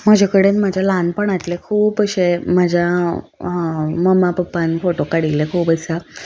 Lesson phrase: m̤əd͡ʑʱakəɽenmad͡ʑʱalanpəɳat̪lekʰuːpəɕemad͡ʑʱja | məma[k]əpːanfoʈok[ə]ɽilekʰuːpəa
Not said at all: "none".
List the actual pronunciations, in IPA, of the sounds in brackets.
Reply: p, a

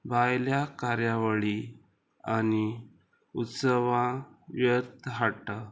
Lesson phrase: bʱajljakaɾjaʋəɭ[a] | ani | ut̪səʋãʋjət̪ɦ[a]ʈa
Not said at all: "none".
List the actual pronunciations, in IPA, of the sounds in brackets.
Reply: i, a

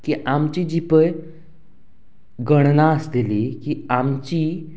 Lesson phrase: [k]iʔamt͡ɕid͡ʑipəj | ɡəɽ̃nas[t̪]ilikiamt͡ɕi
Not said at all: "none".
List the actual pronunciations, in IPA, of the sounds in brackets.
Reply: k, d̪

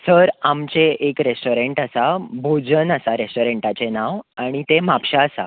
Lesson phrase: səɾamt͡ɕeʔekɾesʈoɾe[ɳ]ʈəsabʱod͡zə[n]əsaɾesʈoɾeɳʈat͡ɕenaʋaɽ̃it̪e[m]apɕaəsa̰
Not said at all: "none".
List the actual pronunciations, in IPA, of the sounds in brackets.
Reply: ɳ, n, m

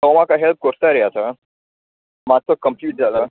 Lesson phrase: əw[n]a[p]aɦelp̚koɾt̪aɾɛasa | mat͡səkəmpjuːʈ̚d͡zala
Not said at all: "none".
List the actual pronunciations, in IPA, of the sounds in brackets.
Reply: m, k

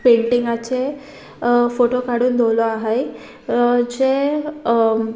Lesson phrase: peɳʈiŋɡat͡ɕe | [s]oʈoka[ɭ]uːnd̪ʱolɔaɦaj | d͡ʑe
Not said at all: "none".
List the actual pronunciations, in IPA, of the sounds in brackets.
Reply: f, ɽ

